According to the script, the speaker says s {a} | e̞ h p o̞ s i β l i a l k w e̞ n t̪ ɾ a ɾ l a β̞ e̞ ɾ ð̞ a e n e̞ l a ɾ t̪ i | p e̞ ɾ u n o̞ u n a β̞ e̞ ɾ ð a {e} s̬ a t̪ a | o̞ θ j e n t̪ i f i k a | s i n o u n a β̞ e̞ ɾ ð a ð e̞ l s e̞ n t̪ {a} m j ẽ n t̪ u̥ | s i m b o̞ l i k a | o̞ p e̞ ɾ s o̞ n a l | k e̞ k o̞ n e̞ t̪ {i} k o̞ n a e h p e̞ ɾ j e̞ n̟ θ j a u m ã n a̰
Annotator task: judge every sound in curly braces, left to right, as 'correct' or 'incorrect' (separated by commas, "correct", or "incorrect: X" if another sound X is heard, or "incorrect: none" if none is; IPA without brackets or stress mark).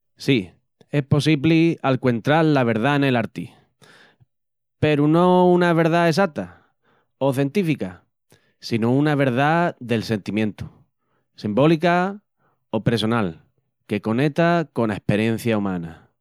incorrect: i, correct, incorrect: i, incorrect: a